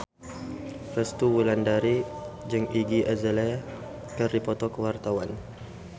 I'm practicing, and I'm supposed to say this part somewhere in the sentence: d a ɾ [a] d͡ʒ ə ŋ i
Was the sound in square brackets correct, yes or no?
no